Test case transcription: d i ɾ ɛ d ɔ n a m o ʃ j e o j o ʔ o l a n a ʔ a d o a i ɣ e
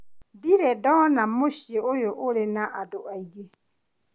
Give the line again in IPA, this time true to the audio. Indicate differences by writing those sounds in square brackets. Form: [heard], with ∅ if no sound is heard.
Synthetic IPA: d i ɾ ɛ d ɔ n a m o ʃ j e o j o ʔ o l [e] n a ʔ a d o a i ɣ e